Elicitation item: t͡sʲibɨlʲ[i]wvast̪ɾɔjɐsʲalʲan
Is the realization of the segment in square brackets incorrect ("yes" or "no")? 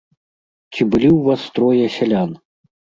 no